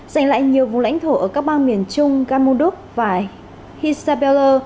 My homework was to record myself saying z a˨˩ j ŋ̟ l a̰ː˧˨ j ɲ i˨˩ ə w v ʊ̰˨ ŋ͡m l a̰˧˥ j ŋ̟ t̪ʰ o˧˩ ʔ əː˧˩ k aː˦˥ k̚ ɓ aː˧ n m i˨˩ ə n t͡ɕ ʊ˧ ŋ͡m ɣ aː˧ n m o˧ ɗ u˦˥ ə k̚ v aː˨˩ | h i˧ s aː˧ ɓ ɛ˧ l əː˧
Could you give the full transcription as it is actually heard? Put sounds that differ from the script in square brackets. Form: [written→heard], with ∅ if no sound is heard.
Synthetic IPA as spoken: z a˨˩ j ŋ̟ l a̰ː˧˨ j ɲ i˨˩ ə w v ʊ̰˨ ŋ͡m l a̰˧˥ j ŋ̟ t̪ʰ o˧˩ ʔ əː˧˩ k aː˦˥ k̚ ɓ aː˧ n m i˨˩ ə n t͡ɕ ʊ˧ ŋ͡m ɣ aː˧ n m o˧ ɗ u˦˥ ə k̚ v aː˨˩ | h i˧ s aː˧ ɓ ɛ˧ l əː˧